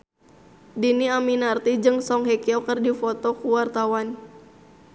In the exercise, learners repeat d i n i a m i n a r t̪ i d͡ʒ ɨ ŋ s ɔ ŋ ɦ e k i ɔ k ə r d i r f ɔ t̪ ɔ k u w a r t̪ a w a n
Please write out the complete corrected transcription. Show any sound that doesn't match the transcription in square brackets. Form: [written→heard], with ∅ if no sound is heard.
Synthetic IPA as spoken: d i n i a m i n a r t̪ i d͡ʒ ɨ ŋ s ɔ ŋ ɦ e k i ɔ k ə r d i [r→∅] f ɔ t̪ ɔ k u w a r t̪ a w a n